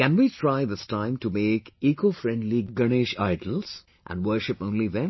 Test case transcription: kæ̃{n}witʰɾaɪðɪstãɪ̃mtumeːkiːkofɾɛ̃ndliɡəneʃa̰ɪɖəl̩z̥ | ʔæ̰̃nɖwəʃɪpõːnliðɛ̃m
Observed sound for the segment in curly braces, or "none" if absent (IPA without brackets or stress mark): n